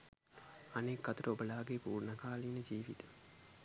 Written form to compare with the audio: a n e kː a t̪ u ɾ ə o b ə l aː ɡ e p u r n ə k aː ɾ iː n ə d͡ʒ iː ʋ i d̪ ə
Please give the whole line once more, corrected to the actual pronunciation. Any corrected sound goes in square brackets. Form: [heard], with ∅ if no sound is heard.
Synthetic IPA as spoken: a n e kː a t̪ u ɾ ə o b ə l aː ɡ e p [uː] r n ə k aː [l] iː n ə d͡ʒ iː ʋ i [t̪] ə